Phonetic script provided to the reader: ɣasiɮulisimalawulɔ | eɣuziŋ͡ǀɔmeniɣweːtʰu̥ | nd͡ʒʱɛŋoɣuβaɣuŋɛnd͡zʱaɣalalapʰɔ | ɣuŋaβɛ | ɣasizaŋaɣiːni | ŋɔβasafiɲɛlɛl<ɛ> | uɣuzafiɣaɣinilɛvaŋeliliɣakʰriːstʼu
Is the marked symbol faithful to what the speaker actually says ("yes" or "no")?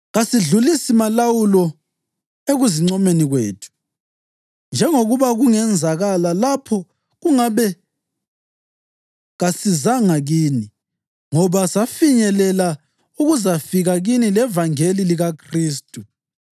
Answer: no